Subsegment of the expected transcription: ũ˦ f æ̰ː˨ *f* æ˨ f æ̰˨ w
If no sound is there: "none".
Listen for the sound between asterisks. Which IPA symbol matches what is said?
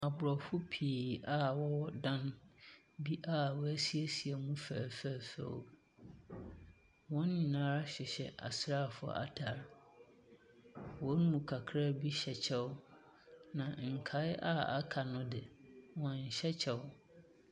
f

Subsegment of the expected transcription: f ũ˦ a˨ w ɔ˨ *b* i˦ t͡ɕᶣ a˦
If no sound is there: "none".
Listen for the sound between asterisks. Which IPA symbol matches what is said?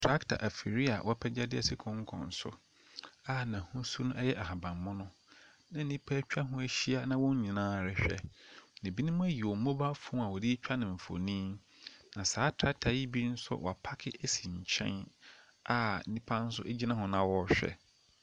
d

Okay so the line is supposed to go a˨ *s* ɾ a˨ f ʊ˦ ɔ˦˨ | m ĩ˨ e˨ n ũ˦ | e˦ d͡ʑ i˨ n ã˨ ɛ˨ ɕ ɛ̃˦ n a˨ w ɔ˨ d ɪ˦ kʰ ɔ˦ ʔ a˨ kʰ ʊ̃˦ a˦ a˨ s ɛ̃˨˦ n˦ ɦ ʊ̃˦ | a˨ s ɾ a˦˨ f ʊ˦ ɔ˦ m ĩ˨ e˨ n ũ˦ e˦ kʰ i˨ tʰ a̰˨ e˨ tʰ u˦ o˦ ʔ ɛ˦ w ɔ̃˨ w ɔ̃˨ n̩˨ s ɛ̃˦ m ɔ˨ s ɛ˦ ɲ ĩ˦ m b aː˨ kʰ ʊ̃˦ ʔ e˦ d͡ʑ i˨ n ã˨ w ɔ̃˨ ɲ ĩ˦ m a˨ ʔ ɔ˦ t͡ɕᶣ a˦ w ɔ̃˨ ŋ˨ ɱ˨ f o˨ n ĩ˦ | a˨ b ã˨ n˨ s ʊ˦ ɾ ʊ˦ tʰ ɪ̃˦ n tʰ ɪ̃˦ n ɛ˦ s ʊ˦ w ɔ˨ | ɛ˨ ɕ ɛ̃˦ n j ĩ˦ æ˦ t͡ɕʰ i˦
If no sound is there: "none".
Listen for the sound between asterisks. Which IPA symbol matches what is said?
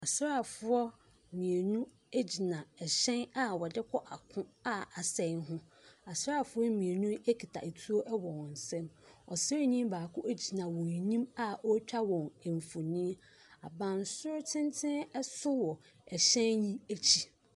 s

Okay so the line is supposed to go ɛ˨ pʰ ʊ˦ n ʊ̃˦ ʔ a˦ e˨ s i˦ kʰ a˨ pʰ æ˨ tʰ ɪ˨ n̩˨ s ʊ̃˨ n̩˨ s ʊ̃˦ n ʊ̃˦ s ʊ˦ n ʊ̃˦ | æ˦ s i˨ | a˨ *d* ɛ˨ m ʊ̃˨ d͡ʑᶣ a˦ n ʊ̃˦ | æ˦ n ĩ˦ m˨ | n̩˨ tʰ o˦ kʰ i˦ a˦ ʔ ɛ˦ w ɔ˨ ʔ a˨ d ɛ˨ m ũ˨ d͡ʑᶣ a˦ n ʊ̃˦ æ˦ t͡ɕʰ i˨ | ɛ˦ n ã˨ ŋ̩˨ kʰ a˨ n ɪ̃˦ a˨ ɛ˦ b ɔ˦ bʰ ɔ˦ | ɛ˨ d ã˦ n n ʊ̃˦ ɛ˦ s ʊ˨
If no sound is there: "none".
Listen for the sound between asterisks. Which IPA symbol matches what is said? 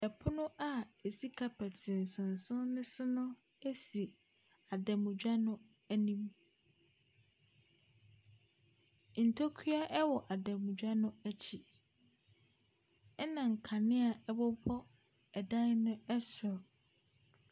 d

